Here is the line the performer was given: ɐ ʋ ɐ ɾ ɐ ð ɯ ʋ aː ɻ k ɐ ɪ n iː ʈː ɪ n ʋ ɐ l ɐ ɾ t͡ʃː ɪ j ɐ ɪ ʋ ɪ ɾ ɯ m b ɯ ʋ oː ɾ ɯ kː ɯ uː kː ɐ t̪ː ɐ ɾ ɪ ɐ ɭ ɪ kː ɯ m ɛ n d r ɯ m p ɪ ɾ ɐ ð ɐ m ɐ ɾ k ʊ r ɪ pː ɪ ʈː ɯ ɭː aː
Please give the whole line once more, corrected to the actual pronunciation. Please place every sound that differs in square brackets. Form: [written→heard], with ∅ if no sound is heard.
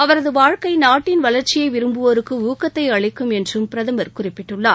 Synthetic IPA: ɐ ʋ ɐ ɾ ɐ ð ɯ ʋ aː ɻ k ɐ ɪ n [iː→aː] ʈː ɪ n ʋ ɐ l ɐ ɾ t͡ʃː ɪ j ɐ ɪ ʋ ɪ ɾ ɯ m b ɯ ʋ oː ɾ ɯ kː ɯ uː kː ɐ t̪ː ɐ [ɾ→∅] ɪ ɐ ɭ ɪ kː ɯ m ɛ n d r ɯ m p ɪ ɾ ɐ ð ɐ m ɐ ɾ k ʊ r ɪ pː ɪ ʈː ɯ ɭː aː